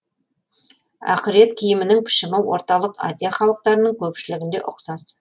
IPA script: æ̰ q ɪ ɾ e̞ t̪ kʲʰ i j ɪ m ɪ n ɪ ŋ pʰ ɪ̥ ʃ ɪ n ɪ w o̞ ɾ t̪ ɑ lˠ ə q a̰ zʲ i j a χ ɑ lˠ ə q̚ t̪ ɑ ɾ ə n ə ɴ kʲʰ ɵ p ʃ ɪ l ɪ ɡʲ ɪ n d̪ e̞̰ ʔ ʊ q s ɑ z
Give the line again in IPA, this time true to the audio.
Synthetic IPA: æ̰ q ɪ ɾ e̞ t̪ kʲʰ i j ɪ m ɪ n ɪ ŋ pʰ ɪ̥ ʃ ɪ m ɪ w o̞ ɾ t̪ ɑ lˠ ə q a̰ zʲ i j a χ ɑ lˠ ə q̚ t̪ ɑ ɾ ə n ə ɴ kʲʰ ɵ p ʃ ɪ l ɪ ɡʲ ɪ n d̪ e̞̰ ʔ ʊ q s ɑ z